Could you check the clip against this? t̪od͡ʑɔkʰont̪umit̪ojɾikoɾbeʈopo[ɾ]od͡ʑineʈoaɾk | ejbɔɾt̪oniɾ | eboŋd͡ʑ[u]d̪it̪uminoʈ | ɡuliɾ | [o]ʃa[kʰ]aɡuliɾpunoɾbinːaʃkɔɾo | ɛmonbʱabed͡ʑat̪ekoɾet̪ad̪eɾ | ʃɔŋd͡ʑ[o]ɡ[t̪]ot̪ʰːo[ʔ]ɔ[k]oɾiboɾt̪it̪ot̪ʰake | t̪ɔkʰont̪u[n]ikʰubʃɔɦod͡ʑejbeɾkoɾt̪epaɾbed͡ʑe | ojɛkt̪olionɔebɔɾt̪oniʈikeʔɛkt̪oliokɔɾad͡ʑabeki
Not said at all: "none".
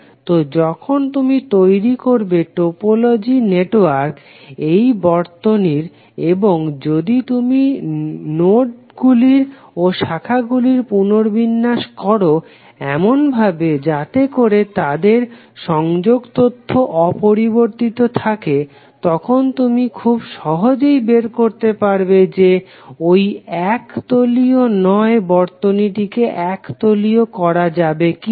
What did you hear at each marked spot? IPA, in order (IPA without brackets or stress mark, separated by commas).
l, o, o, kʰ, o, t̪, ʔ, p, m